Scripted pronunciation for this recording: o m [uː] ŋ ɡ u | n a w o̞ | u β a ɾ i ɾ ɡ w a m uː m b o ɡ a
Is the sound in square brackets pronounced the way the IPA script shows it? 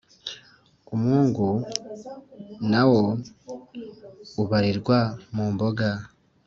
yes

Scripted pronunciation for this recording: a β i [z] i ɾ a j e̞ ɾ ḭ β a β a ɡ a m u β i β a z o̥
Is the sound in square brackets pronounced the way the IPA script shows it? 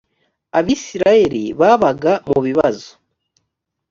no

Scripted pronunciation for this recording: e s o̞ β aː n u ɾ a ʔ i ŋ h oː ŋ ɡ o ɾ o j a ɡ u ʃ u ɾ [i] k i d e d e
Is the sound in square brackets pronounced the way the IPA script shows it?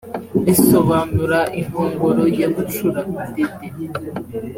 no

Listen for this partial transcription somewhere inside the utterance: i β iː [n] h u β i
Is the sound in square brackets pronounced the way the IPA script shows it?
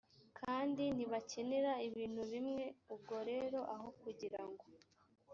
yes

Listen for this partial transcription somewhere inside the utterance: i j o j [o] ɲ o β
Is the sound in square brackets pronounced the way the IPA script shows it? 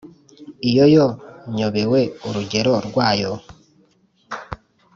yes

